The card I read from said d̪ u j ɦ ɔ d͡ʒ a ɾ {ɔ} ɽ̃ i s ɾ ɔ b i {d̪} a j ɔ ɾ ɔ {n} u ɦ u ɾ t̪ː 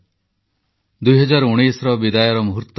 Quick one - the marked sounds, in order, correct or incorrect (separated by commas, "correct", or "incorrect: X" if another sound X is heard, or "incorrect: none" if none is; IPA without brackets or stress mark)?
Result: incorrect: u, correct, incorrect: m